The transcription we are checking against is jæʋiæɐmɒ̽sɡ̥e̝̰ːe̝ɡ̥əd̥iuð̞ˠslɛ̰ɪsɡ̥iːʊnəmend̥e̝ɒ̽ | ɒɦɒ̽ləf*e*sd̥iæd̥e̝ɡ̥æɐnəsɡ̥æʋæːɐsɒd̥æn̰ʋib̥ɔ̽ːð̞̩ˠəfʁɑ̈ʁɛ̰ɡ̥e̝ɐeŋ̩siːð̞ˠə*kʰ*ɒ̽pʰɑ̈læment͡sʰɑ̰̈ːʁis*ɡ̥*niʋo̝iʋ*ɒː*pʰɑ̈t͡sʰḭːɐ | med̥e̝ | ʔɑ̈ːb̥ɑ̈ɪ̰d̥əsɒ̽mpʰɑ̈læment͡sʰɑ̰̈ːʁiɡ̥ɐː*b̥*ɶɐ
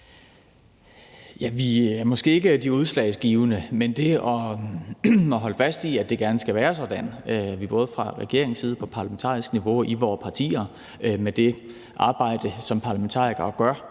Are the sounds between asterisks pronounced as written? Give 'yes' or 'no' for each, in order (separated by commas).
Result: no, no, yes, yes, no